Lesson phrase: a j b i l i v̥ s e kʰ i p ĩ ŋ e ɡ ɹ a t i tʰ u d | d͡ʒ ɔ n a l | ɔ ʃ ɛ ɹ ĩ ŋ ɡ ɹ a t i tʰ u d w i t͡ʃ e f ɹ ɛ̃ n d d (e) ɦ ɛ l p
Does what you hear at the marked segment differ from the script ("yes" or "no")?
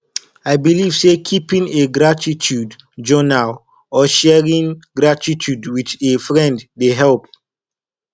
no